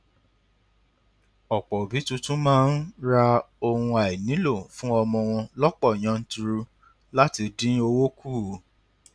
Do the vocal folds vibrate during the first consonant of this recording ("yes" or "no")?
no